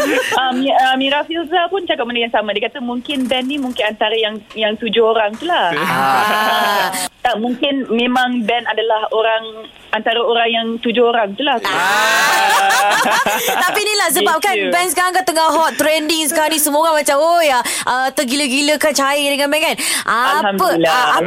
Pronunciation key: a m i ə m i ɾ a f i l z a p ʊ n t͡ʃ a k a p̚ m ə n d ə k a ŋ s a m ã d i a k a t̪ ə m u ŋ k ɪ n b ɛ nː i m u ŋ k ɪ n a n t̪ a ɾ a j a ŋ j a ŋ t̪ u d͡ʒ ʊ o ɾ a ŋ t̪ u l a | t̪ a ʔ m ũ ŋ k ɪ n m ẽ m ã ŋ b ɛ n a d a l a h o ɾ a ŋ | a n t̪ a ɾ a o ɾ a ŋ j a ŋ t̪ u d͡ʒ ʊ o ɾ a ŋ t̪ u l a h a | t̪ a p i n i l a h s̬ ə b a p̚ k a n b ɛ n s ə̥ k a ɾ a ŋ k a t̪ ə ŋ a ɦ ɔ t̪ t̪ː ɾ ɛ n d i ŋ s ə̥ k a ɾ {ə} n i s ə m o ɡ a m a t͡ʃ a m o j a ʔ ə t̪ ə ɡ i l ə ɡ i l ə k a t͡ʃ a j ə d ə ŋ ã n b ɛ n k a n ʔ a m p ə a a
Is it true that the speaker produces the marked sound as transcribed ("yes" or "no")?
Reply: no